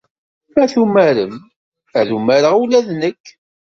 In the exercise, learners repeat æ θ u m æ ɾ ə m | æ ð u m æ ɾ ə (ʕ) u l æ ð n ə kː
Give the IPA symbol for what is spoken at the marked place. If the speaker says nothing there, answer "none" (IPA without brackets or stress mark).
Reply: ʁ